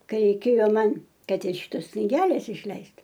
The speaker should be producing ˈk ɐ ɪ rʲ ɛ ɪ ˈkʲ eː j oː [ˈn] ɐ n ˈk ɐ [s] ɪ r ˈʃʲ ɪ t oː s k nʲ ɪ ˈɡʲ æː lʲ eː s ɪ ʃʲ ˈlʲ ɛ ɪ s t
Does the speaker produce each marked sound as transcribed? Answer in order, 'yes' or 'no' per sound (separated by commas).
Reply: no, no